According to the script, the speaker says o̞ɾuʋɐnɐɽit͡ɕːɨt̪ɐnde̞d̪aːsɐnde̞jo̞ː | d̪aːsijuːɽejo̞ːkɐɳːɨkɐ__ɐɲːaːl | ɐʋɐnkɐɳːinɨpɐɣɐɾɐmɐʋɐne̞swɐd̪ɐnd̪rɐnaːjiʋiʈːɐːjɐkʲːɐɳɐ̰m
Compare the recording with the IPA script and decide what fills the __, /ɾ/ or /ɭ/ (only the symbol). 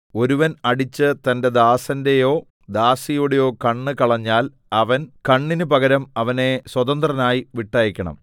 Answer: ɭ